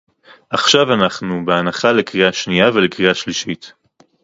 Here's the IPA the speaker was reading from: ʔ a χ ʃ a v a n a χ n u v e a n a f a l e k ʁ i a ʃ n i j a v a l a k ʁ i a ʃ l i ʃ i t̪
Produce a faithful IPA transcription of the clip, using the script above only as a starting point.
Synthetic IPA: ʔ a χ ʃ a v a n a χ n u b e a n a χ a l e k ʁ i a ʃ n i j a v e l e k ʁ i a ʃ l i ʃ i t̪